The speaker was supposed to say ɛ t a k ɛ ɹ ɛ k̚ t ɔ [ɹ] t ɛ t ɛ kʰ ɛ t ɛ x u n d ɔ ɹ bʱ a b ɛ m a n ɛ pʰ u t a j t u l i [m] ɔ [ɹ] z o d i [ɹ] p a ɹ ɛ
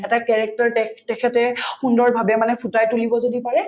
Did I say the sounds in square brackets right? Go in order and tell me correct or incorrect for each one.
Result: correct, incorrect, incorrect, incorrect

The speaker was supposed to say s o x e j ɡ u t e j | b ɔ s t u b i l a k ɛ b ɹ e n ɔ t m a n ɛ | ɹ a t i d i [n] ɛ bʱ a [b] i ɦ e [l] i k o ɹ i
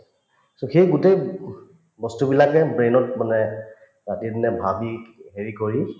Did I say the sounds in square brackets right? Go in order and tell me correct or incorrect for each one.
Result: correct, correct, incorrect

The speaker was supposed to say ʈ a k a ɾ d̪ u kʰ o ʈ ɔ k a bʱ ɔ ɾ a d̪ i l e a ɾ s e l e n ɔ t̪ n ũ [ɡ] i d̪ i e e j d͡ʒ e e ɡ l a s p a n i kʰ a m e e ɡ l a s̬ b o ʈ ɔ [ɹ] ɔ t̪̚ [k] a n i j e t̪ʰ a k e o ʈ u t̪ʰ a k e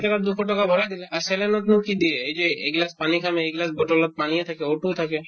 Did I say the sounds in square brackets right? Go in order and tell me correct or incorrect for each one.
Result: incorrect, incorrect, incorrect

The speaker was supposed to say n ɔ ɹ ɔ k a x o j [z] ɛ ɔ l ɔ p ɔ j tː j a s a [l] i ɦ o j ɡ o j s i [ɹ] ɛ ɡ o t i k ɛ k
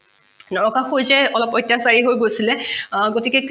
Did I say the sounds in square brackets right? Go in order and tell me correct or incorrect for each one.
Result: correct, incorrect, incorrect

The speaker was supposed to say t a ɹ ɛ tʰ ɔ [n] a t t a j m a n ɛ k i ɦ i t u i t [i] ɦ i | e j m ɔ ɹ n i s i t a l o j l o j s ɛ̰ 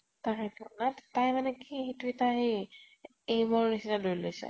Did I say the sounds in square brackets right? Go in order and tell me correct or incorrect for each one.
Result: correct, incorrect

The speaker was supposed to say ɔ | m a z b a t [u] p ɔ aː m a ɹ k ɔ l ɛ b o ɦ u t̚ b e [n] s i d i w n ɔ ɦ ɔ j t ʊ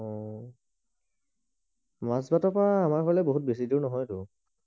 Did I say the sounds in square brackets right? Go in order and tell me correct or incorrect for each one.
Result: incorrect, incorrect

